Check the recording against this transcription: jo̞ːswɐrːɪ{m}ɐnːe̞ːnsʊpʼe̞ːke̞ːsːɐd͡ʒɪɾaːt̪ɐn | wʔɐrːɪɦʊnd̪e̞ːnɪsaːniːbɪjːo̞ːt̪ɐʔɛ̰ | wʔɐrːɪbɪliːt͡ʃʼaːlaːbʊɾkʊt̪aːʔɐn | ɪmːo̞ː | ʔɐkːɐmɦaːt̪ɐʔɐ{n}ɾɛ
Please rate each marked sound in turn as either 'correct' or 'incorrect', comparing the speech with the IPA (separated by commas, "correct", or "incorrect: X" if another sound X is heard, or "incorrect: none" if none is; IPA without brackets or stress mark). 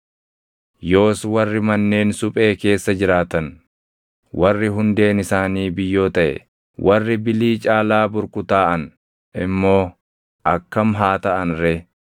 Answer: correct, correct